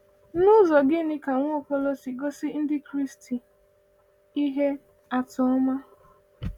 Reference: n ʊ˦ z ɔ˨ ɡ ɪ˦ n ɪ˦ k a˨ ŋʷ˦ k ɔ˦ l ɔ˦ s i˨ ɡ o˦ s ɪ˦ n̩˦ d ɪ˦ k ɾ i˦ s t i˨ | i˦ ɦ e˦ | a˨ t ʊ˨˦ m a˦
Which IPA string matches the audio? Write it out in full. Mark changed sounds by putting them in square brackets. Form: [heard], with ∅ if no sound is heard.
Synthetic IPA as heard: n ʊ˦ z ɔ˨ ɡ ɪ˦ n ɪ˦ k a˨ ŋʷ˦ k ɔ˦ l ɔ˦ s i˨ ɡ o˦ s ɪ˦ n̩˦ d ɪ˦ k ɾ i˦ s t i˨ | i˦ ɦ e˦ | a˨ t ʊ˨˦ m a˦